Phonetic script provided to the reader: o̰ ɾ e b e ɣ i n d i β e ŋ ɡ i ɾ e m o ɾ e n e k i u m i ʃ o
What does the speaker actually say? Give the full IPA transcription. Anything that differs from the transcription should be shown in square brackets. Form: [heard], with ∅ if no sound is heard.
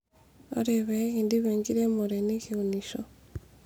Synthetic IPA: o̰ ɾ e [β] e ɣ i n d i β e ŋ ɡ i ɾ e m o ɾ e n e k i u [n] i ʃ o